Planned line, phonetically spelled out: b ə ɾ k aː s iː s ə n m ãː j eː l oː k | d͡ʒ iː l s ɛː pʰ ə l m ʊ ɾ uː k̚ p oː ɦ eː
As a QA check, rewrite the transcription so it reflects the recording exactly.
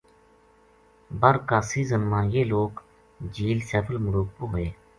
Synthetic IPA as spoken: b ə ɾ k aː s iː z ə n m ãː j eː l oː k | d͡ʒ iː l s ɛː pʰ ə l m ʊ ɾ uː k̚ p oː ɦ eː